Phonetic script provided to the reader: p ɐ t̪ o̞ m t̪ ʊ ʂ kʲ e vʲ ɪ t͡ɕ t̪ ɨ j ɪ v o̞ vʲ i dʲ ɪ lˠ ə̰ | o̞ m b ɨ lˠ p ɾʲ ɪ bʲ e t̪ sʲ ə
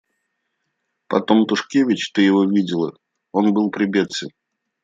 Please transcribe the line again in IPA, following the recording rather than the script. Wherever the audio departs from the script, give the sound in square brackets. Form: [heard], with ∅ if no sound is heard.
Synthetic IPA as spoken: p ɐ t̪ o̞ m t̪ ʊ ʂ kʲ e vʲ ɪ t͡ɕ t̪ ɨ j ɪ v o̞ vʲ i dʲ ɪ lˠ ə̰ | o̞ [n] b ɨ lˠ p ɾʲ ɪ bʲ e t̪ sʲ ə